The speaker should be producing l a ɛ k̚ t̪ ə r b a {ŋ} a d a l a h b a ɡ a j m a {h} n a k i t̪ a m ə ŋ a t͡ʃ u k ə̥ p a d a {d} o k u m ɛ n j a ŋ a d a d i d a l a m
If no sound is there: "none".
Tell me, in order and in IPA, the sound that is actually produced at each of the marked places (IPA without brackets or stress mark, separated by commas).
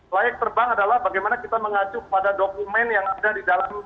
ŋ, none, d